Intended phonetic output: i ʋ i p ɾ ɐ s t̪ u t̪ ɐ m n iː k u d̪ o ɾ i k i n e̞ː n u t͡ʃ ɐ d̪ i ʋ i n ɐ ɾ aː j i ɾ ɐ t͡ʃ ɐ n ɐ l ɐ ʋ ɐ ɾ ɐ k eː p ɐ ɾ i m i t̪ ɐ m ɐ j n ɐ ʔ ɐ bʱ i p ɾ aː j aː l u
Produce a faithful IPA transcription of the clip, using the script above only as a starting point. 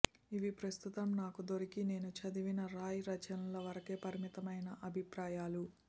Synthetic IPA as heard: i ʋ i p ɾ ɐ s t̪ u t̪ ɐ m n aː k u d̪ o ɾ i k i n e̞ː n u t͡ʃ ɐ d̪ i ʋ i n ɐ ɾ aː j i ɾ ɐ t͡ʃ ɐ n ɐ l ɐ ʋ ɐ ɾ ɐ k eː p ɐ ɾ i m i t̪ ɐ m ɐ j n ɐ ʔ ɐ bʱ i p ɾ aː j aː l u